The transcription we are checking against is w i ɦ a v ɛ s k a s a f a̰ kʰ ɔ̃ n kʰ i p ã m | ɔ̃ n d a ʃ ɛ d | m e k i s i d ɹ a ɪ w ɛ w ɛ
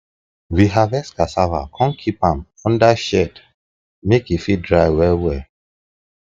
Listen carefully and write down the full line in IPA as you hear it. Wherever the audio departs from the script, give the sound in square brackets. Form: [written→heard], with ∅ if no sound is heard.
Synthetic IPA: w i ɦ a v ɛ s k a s a [f→v] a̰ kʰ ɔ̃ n kʰ i p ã m | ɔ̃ n d a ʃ ɛ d | m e k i [s→f] i d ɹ a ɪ w ɛ w ɛ